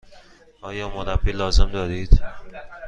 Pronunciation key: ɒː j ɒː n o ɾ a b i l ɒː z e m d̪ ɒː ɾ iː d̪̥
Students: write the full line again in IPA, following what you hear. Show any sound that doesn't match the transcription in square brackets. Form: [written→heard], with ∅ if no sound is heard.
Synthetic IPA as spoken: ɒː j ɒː [n→m] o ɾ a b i l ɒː z e m d̪ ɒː ɾ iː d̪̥